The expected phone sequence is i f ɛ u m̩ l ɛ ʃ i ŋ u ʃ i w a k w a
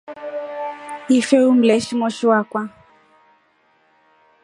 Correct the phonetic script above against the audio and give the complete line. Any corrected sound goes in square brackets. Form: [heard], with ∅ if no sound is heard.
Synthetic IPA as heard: i f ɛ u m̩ l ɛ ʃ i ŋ [ɔ] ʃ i w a k w a